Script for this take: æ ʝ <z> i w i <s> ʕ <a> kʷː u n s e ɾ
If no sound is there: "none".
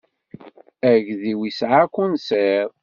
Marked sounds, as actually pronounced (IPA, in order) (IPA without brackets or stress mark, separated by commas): ð, s, a